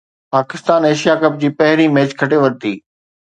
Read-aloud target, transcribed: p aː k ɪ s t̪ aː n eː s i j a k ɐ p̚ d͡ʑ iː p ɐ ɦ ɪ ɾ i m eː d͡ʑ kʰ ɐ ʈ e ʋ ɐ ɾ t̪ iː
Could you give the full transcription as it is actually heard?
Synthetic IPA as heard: p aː k ɪ s t̪ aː n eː ʃ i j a k ɐ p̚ d͡ʑ iː p ɐ ɦ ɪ ɾ i m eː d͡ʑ kʰ ɐ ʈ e ʋ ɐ ɾ t̪ iː